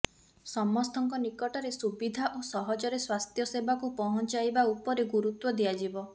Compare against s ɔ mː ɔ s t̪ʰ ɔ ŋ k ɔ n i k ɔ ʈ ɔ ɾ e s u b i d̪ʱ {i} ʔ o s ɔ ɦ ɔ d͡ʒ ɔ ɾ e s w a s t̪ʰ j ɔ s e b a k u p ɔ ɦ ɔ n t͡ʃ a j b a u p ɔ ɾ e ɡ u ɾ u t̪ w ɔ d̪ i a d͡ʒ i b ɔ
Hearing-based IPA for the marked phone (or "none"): a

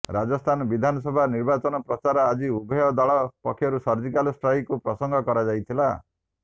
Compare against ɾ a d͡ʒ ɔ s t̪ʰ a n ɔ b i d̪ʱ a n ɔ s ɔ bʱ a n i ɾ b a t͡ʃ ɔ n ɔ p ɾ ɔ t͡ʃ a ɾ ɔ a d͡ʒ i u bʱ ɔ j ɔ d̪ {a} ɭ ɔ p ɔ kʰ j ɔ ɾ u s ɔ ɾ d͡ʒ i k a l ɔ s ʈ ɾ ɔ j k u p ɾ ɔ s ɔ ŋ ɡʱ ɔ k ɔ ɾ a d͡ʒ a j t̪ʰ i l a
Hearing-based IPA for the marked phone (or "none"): a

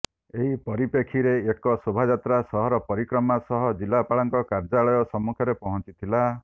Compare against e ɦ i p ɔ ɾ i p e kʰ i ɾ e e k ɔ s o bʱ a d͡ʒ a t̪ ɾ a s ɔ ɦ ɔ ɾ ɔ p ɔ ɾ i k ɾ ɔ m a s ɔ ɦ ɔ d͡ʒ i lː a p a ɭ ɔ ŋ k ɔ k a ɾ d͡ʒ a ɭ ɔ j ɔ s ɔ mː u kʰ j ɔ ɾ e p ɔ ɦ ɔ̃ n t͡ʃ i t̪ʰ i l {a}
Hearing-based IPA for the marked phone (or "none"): a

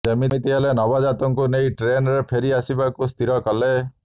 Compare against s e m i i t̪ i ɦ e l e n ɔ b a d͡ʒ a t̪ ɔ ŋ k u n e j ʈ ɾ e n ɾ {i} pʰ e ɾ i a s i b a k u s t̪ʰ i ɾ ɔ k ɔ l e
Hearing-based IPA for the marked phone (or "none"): e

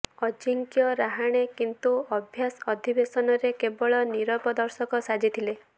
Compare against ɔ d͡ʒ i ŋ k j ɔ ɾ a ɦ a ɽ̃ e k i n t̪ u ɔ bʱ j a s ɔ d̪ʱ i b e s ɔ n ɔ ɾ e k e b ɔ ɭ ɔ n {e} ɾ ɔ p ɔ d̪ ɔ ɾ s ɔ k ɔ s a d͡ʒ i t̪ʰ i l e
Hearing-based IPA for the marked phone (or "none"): i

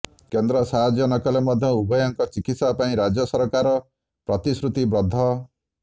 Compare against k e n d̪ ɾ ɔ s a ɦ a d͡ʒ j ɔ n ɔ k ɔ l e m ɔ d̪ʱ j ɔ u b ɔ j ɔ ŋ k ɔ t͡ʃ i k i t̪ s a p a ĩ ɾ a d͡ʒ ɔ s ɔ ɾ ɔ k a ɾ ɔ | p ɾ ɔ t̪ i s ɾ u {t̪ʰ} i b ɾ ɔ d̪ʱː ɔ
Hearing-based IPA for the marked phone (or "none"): t̪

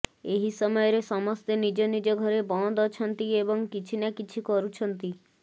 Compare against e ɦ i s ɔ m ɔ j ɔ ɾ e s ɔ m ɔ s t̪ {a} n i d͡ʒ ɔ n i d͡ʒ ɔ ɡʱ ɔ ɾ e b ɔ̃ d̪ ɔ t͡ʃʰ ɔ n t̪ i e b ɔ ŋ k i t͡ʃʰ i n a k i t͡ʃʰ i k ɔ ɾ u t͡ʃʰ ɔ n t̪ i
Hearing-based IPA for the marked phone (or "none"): e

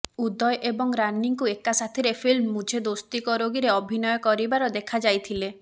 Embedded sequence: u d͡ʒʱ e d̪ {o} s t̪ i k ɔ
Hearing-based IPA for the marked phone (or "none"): o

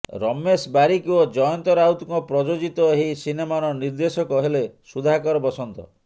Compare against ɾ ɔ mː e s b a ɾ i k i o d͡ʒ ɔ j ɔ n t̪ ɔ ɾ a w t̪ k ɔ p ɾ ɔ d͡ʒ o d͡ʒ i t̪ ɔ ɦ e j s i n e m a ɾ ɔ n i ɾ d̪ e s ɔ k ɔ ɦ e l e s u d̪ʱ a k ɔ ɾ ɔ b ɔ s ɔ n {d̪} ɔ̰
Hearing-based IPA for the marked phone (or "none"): t̪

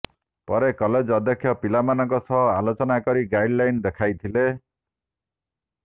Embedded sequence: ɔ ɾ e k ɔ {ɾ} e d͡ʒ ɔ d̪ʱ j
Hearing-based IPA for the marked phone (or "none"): l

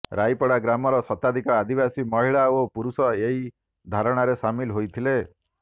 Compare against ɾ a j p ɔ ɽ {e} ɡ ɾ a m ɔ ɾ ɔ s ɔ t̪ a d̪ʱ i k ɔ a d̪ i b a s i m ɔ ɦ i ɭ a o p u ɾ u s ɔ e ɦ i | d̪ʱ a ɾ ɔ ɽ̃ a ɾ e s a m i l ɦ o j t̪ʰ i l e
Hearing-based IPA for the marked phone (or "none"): a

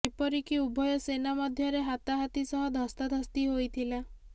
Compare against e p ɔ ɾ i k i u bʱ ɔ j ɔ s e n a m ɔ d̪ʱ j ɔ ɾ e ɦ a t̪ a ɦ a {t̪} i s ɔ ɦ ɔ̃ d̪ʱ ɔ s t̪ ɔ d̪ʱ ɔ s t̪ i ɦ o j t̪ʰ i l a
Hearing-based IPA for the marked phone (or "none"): t̪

